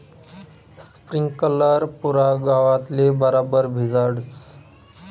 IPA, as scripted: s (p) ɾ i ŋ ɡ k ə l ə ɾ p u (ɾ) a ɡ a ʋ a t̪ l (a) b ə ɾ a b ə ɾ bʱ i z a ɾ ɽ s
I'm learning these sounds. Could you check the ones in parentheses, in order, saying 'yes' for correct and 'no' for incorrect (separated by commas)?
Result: yes, yes, no